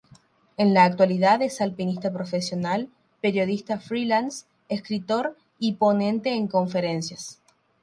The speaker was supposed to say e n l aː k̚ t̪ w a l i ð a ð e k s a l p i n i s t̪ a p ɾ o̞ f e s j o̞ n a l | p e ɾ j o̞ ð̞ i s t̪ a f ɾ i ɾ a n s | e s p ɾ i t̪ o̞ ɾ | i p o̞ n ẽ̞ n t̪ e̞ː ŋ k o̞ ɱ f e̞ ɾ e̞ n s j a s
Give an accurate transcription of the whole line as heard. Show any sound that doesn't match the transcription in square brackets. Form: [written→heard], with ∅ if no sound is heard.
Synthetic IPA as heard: e n l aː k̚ t̪ w a l i ð a ð e [k→∅] s a l p i n i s t̪ a p ɾ o̞ f e s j o̞ n a l | p e ɾ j o̞ ð̞ i s t̪ a f ɾ i [ɾ→l] a n s | e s [p→k] ɾ i t̪ o̞ ɾ | i p o̞ n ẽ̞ n t̪ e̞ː ŋ k o̞ ɱ f e̞ ɾ e̞ n s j a s